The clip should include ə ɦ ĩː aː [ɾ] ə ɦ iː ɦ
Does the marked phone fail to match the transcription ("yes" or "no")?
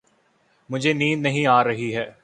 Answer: no